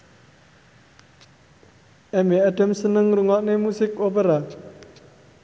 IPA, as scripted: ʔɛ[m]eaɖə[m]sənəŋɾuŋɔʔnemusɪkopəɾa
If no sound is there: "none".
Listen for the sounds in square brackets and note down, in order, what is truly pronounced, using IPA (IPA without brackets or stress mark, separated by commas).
m, m